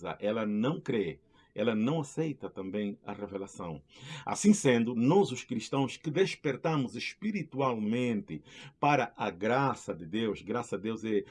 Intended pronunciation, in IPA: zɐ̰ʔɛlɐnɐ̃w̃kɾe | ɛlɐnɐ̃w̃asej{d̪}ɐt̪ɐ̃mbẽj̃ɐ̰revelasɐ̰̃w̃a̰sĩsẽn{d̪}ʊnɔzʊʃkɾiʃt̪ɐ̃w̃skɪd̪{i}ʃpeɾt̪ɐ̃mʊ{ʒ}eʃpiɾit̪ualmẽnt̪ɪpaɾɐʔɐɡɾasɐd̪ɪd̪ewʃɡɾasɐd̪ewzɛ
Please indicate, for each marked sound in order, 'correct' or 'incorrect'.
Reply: incorrect: t̪, correct, incorrect: e, incorrect: z

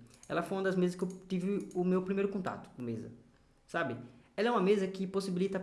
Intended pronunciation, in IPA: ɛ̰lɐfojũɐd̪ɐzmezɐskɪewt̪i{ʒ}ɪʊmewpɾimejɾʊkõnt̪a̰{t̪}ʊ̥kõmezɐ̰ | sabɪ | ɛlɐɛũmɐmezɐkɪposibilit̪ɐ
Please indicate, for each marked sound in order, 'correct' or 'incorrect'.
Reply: incorrect: v, correct

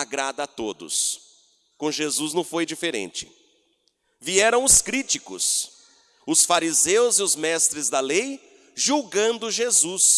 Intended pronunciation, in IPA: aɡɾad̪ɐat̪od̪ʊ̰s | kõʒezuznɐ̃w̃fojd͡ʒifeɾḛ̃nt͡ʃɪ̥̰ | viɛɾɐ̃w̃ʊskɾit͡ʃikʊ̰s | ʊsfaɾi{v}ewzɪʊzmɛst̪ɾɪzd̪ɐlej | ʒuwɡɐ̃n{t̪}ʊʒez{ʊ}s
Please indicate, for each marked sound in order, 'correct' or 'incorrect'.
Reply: incorrect: z, incorrect: d̪, incorrect: u

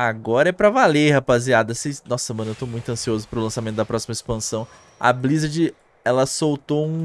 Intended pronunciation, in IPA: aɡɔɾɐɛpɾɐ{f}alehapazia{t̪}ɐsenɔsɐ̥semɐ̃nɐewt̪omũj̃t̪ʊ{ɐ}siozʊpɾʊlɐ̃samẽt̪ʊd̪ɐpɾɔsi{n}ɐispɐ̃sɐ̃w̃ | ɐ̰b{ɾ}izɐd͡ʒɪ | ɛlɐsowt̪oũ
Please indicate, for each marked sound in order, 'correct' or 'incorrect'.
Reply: incorrect: v, incorrect: d̪, incorrect: ɐ̃, incorrect: m, incorrect: l

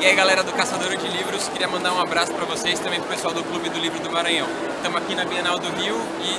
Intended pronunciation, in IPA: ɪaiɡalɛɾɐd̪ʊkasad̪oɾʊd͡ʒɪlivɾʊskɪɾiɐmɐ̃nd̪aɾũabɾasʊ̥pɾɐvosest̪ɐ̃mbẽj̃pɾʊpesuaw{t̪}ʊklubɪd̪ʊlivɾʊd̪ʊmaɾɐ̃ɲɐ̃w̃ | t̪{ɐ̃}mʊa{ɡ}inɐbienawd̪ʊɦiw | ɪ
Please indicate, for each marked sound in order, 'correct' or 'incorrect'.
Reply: incorrect: d̪, correct, incorrect: k

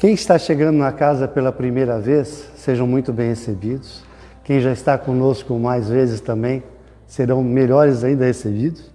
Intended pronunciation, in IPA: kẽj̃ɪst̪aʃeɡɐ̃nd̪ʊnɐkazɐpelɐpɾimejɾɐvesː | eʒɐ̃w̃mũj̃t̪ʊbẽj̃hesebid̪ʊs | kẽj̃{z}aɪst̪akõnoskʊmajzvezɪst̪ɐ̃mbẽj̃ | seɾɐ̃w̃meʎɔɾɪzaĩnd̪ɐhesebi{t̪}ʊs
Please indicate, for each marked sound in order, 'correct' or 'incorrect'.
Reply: incorrect: ʒ, incorrect: d̪

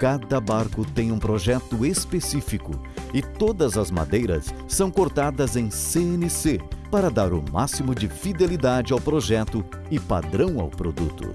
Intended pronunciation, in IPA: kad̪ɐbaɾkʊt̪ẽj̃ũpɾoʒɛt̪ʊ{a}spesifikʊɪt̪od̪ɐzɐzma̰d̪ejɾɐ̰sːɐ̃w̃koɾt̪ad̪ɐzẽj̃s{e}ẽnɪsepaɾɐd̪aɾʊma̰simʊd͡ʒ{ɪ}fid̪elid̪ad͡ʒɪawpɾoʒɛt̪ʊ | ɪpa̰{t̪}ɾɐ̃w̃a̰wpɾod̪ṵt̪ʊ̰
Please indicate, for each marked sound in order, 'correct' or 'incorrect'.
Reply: incorrect: e, correct, correct, incorrect: d̪

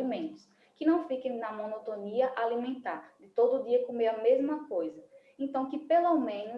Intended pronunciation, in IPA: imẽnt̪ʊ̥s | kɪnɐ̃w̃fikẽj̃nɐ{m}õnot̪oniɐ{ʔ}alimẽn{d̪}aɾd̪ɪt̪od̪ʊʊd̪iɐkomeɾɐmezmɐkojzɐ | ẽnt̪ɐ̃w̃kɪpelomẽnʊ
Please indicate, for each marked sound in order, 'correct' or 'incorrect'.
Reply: correct, correct, incorrect: t̪

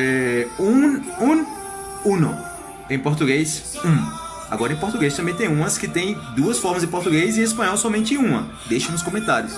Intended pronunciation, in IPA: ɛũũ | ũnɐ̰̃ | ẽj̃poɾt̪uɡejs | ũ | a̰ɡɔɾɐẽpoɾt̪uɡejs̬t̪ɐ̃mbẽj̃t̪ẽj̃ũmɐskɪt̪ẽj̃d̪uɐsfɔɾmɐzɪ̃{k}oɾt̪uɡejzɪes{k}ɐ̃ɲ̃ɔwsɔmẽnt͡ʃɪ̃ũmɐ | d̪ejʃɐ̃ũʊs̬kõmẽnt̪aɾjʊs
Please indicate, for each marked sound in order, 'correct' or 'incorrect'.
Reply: incorrect: p, incorrect: p

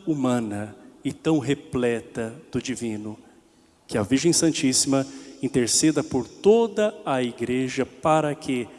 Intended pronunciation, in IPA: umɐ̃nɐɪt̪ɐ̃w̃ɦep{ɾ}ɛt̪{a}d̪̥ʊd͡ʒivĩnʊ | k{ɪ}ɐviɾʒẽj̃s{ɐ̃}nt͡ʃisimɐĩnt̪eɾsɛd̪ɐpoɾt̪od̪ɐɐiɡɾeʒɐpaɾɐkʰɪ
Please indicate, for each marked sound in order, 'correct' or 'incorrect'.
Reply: incorrect: l, incorrect: ɐ, correct, correct

